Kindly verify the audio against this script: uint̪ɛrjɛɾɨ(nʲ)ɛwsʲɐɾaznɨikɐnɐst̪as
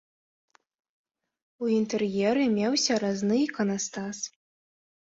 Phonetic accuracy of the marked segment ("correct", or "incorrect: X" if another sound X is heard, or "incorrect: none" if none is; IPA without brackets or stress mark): incorrect: mʲ